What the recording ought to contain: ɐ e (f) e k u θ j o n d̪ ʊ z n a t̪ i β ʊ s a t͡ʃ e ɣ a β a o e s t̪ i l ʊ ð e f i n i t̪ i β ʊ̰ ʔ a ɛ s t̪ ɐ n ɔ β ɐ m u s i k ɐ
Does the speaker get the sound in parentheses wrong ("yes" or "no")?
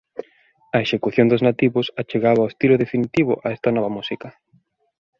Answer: yes